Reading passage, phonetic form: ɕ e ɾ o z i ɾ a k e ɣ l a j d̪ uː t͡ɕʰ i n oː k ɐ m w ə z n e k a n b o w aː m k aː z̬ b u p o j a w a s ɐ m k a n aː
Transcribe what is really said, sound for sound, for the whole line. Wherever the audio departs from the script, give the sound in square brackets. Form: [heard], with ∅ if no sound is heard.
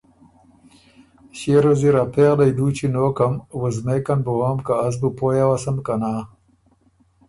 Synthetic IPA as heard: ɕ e ɾ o z i ɾ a [p] e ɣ l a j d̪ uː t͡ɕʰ i n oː k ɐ m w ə z [m] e k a n b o w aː m k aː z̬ b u p o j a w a s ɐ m k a n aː